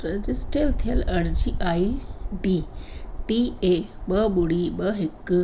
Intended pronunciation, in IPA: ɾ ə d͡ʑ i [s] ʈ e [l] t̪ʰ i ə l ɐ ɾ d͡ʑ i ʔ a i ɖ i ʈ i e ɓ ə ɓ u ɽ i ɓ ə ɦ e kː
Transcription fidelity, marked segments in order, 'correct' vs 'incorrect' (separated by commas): correct, correct